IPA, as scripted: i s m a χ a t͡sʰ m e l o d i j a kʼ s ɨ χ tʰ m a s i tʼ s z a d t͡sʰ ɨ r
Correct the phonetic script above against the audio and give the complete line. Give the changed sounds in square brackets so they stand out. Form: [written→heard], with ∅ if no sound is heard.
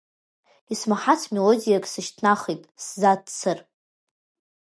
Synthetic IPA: i s m a [χ→ħ] a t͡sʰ m e l o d i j a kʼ s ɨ [χ→ʃ] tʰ [m→n] a [s→χ] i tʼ s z a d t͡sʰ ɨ r